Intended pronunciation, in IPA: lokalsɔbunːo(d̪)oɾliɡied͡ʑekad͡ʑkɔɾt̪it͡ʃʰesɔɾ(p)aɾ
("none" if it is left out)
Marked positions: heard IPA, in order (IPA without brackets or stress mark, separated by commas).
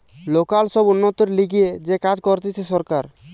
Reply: t̪, k